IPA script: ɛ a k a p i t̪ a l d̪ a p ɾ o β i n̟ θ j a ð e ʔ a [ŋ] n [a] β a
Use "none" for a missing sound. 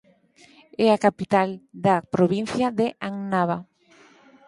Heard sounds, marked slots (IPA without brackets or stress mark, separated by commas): ŋ, a